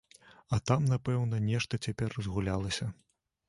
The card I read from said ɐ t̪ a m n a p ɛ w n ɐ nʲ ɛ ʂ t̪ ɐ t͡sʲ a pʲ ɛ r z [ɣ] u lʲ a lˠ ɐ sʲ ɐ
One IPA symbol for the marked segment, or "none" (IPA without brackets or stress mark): ɣ